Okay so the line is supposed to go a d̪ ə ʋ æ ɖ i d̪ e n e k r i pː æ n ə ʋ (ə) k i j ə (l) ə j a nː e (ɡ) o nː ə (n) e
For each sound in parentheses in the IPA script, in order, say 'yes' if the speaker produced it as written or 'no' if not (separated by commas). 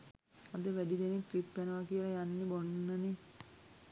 no, yes, no, yes